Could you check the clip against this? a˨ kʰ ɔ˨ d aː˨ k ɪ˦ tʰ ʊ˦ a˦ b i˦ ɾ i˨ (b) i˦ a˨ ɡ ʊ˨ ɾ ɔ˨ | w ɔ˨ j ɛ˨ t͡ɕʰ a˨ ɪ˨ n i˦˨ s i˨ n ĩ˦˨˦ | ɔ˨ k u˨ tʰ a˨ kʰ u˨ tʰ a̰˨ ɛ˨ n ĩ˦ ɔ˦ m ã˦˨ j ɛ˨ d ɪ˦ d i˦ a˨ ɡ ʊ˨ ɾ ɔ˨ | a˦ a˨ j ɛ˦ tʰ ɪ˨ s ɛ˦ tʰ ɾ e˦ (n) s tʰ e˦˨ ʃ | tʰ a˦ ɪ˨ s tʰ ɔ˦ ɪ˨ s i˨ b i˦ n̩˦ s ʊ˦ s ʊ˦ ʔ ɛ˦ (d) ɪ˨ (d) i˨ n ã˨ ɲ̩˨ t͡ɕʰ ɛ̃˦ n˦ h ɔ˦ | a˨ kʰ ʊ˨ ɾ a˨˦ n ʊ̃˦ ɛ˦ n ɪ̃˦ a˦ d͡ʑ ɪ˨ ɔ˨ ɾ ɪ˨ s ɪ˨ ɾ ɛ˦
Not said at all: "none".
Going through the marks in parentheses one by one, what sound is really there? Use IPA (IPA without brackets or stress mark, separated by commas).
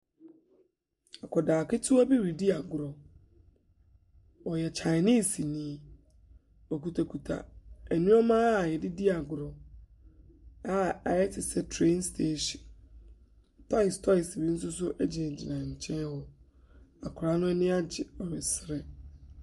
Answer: d, n, d͡ʑ, d͡ʑ